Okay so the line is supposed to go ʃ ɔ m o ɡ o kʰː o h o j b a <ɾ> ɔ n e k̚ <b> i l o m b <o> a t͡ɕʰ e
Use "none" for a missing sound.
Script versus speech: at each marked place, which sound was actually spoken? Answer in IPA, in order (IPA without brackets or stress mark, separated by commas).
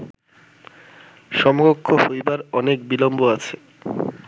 ɾ, b, o